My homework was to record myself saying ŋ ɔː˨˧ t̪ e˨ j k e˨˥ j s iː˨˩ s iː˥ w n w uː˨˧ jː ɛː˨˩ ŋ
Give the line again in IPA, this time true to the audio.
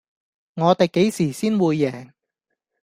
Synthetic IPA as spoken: ŋ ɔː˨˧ t̪ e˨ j k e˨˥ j s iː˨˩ s iː˥ n w uː˨˧ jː ɛː˨˩ ŋ

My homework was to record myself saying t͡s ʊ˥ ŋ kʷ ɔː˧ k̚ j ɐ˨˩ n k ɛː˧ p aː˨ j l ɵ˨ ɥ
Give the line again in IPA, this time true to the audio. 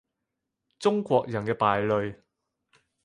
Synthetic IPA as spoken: t͡s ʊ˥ ŋ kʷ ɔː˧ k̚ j ɐ˨˩ n k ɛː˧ p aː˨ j l ɵ˨ ɥ

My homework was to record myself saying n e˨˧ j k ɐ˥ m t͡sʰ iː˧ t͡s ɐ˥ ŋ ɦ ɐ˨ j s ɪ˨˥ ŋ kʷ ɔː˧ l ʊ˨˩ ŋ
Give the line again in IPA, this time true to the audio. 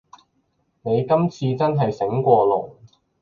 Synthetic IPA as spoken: n e˨˧ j k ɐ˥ m t͡sʰ iː˧ t͡s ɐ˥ n ɦ ɐ˨ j s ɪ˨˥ ŋ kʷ ɔː˧ l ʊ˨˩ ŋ

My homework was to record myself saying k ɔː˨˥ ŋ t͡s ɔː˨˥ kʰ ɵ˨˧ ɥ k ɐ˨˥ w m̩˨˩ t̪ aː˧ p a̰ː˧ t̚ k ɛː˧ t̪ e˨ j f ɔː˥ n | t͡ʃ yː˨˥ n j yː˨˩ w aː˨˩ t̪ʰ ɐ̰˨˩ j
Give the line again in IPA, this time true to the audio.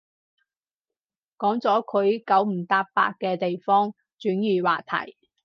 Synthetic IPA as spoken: k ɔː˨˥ ŋ t͡s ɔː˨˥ kʰ ɵ˨˧ ɥ k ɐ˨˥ w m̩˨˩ t̪ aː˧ p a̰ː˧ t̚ k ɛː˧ t̪ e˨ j f ɔː˥ ŋ | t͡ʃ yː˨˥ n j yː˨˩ w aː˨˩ t̪ʰ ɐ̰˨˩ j

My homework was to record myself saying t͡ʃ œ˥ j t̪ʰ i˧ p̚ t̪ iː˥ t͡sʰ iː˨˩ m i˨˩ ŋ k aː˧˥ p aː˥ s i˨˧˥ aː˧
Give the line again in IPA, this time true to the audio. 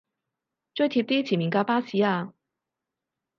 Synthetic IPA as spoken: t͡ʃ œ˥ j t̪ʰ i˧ p̚ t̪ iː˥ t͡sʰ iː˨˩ m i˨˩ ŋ k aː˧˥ p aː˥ s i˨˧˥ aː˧

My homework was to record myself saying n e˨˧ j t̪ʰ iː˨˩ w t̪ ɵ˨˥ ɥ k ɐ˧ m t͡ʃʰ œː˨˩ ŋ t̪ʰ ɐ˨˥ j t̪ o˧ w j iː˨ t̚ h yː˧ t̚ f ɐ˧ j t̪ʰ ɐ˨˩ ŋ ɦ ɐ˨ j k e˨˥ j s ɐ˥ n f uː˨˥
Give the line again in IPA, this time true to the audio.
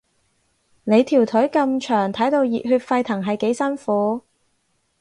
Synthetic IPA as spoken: n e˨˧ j t̪ʰ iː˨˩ w t̪ʰ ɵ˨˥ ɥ k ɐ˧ m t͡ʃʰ œː˨˩ ŋ t̪ʰ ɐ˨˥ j t̪ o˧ w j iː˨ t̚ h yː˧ t̚ f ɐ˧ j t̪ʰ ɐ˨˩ ŋ ɦ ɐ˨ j k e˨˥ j s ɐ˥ n f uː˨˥

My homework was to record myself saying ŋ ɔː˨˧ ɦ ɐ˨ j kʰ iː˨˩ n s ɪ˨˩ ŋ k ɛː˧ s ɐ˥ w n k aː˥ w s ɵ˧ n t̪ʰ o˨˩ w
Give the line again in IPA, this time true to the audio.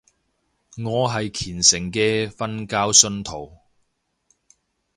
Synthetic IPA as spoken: ŋ ɔː˨˧ ɦ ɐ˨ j kʰ iː˨˩ n s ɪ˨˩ ŋ k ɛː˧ f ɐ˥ n k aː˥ w s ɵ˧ n t̪ʰ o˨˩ w

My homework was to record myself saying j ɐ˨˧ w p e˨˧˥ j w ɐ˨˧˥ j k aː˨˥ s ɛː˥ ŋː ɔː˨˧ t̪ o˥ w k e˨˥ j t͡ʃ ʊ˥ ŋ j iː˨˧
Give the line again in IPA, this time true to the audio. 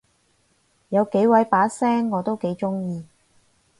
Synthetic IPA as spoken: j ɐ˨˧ w k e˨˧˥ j w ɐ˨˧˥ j p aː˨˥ s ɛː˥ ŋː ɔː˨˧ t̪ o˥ w k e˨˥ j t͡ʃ ʊ˥ ŋ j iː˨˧

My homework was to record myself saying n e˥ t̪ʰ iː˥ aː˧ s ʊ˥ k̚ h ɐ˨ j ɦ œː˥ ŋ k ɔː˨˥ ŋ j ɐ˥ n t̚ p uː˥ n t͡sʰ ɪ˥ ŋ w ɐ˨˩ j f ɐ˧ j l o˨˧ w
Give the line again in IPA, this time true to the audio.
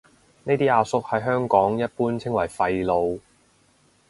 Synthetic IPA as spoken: n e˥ t̪ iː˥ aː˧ s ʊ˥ k̚ h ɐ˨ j ɦ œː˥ ŋ k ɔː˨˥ ŋ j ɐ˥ t̚ p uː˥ n t͡sʰ ɪ˥ ŋ w ɐ˨˩ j f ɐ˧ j l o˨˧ w

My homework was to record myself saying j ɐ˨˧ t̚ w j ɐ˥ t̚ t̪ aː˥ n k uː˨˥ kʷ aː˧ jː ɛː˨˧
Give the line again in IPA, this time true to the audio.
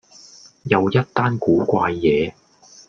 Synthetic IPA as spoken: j ɐ˨˧ w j ɐ˥ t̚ t̪ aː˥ n k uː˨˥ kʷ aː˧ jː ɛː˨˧

